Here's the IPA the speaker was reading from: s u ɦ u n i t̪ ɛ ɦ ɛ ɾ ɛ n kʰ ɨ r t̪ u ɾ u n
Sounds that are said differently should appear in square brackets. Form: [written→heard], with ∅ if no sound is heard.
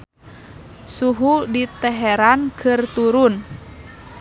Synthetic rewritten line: s u ɦ u [n→d] i t̪ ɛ ɦ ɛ ɾ [ɛ→a] n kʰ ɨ r t̪ u ɾ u n